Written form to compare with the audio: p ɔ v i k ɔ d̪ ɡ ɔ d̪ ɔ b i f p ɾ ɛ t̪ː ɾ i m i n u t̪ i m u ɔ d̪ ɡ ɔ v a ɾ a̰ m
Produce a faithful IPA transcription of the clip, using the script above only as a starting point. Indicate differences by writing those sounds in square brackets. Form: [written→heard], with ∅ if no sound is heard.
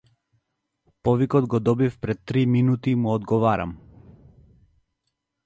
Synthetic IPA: p ɔ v i k ɔ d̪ ɡ ɔ d̪ ɔ b i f p ɾ ɛ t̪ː ɾ i m i n u t̪ i m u ɔ d̪ ɡ ɔ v a ɾ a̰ m

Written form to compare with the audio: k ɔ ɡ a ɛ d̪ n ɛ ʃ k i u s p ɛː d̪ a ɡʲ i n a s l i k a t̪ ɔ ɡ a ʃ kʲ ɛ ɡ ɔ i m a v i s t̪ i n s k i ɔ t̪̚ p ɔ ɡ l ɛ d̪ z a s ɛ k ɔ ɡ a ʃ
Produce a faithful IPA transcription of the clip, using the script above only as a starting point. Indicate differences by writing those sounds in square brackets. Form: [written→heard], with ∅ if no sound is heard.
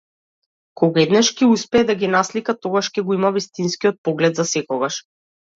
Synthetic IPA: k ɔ ɡ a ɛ d̪ n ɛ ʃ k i u s p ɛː d̪ a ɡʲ i n a s l i k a t̪ ɔ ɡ a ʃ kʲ ɛ ɡ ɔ i m a v i s t̪ i n s k i ɔ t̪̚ p ɔ ɡ l ɛ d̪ z a s ɛ k ɔ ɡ a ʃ

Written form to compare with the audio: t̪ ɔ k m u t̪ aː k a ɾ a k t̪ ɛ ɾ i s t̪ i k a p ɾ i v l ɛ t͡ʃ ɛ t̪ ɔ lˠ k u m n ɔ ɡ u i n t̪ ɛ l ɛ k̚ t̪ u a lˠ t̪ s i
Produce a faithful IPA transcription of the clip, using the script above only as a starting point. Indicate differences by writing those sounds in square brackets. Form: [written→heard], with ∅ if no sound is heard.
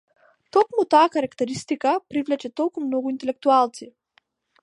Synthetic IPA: t̪ ɔ k m u t̪ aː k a ɾ a k t̪ ɛ ɾ i s t̪ i k a p ɾ i v l ɛ t͡ʃ ɛ t̪ ɔ lˠ k u m n ɔ ɡ u i n t̪ ɛ l ɛ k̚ t̪ u a lˠ t̪ s i

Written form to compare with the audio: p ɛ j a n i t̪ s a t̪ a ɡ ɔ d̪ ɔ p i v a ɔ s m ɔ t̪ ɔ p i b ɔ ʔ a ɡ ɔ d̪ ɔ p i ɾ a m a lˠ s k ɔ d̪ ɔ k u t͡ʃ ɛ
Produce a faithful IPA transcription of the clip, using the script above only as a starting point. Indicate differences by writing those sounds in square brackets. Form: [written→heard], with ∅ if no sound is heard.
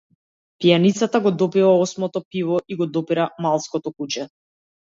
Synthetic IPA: p [ɛ→i] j a n i t̪ s a t̪ a ɡ ɔ d̪ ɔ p i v a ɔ s m ɔ t̪ ɔ p i [b→v] ɔ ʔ [a→i] ɡ ɔ d̪ ɔ p i ɾ a m a lˠ s k ɔ [d̪→t̪] ɔ k u t͡ʃ ɛ

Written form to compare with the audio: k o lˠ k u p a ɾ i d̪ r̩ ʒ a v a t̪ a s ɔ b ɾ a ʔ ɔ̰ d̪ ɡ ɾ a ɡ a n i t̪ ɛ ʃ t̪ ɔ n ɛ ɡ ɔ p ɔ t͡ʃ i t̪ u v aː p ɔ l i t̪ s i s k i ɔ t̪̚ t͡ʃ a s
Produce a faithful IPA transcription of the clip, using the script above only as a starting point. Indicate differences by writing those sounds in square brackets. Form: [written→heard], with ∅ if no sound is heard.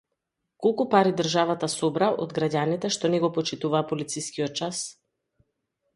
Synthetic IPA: k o lˠ k u p a ɾ i d̪ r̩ ʒ a v a t̪ a s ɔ b ɾ a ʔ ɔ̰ d̪ ɡ ɾ a [ɡ→ɟ] a n i t̪ ɛ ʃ t̪ ɔ n ɛ ɡ ɔ p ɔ t͡ʃ i t̪ u v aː p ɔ l i t̪ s i s k i ɔ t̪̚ t͡ʃ a s

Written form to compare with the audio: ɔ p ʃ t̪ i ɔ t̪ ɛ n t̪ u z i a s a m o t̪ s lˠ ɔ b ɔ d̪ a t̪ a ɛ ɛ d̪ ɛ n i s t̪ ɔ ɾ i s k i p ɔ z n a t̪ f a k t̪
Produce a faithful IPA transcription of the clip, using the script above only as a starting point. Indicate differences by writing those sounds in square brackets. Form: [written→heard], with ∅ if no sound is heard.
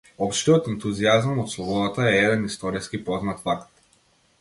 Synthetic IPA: ɔ p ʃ t̪ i ɔ t̪ ɛ n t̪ u z i a [s→z] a m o t̪ s lˠ ɔ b ɔ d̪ a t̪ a ɛ ɛ d̪ ɛ n i s t̪ ɔ ɾ i s k i p ɔ z n a t̪ f a k t̪

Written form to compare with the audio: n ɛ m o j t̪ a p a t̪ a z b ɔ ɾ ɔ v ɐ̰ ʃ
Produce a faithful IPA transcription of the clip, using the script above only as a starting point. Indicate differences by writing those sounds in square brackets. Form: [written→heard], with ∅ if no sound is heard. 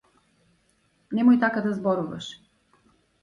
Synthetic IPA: n ɛ m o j t̪ a [p→k] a [t̪→d̪] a z b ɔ ɾ [ɔ→u] v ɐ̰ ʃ

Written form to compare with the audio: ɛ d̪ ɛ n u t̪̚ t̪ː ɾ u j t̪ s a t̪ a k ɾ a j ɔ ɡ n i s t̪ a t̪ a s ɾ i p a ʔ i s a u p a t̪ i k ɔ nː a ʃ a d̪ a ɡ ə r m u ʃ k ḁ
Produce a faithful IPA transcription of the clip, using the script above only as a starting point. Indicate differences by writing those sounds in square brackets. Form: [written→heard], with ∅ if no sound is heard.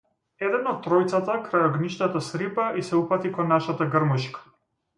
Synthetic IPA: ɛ d̪ ɛ n [u→ɔ] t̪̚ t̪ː ɾ [u→ɔ] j t̪ s a t̪ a k ɾ a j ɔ ɡ n i [s→ʃ] t̪ a t̪ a s ɾ i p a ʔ i s [a→ɛ] u p a t̪ i k ɔ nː a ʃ a [d̪→t̪] a ɡ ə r m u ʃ k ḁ

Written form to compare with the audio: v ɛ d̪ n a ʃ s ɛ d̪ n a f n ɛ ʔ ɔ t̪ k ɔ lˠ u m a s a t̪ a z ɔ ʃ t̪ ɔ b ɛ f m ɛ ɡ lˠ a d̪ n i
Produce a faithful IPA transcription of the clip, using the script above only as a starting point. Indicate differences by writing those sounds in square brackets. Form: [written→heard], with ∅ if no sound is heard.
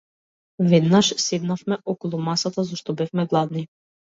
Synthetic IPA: v ɛ d̪ n a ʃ s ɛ d̪ n a f [n→m] ɛ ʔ ɔ [t̪→∅] k ɔ lˠ u m a s a t̪ a z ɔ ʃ t̪ ɔ b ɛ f m ɛ ɡ lˠ a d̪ n i

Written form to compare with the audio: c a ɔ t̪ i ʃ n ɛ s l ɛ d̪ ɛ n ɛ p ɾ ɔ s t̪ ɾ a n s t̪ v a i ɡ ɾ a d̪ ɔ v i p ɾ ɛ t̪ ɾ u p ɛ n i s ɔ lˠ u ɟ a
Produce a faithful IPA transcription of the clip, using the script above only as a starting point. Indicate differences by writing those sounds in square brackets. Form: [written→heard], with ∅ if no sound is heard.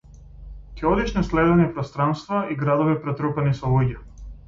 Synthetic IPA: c [a→ɛ] ɔ [t̪→d̪] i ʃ n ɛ s l ɛ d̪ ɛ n ɛ p ɾ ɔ s t̪ ɾ a n s t̪ v a i ɡ ɾ a d̪ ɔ v i p ɾ ɛ t̪ ɾ u p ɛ n i s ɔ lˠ u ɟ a

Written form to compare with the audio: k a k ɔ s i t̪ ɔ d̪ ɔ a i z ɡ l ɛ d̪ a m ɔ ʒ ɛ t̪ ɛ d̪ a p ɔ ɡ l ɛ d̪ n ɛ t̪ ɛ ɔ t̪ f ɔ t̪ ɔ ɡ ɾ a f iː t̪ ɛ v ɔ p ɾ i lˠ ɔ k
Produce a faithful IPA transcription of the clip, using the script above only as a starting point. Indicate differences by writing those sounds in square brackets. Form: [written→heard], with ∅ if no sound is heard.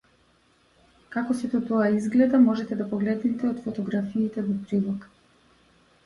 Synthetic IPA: k a k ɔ s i t̪ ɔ [d̪→t̪] ɔ a i z ɡ l ɛ d̪ a m ɔ ʒ ɛ t̪ ɛ d̪ a p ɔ ɡ l ɛ d̪ n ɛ t̪ ɛ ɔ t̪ f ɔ t̪ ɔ ɡ ɾ a f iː t̪ ɛ v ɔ p ɾ i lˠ ɔ k

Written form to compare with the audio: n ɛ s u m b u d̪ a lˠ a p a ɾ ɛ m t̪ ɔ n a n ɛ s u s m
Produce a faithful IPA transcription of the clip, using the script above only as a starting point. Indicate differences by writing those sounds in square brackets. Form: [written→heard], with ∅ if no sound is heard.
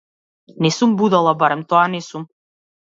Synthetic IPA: n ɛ s u m b u d̪ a lˠ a [p→b] a ɾ ɛ m t̪ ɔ [n→∅] a n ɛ s u [s→∅] m

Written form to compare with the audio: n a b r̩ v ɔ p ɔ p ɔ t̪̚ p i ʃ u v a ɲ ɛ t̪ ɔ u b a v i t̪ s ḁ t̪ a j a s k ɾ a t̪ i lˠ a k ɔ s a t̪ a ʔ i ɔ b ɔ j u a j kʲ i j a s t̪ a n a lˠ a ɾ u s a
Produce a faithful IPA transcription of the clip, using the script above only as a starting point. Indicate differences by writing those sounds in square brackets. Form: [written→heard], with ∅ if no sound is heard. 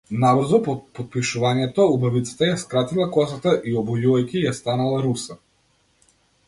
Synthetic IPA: n a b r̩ [v→z] ɔ p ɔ p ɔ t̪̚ p i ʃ u v a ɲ ɛ t̪ ɔ u b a v i t̪ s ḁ t̪ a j a s k ɾ a t̪ i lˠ a k ɔ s a t̪ a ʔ i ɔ b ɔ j u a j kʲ i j a s t̪ a n a lˠ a ɾ u s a

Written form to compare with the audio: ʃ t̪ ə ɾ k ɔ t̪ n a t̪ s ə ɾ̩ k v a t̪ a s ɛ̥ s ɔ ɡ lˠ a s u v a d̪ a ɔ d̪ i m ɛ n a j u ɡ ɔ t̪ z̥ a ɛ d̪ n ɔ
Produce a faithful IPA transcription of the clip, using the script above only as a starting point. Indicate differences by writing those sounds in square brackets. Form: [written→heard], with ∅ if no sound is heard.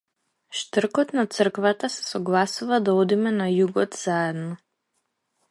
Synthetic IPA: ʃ t̪ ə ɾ k ɔ t̪ n a t̪ s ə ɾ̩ k v a t̪ a s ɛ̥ s ɔ ɡ lˠ a s u v a d̪ a ɔ d̪ i m ɛ n a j u ɡ ɔ t̪ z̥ a ɛ d̪ n ɔ

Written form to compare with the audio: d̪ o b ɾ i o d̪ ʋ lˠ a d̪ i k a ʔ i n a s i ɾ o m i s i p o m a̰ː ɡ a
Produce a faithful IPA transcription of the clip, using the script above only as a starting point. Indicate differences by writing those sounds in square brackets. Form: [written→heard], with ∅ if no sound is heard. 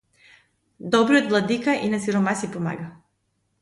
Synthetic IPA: d̪ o b ɾ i o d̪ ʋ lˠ a d̪ i k a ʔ i n a s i ɾ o m [i→a] s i p o m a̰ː ɡ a

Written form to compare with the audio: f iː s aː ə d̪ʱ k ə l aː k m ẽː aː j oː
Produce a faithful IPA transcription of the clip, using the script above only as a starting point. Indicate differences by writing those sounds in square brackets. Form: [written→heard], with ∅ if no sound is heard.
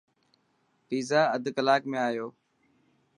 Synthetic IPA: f iː [s→z] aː ə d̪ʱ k ə l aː k m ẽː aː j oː

